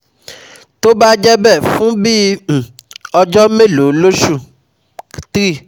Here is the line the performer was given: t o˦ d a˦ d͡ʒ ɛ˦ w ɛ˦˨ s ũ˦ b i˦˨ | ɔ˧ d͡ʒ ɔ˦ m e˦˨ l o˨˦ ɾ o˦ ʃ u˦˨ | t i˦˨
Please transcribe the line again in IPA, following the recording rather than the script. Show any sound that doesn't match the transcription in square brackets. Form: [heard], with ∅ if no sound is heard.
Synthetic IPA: t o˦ [b] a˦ d͡ʒ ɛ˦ [b] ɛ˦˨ [f] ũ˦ b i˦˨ | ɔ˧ d͡ʒ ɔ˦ m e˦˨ l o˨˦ [l] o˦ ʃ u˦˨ | t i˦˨